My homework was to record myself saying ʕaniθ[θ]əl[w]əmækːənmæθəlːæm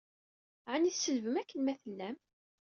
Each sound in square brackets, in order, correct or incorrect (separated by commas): incorrect, incorrect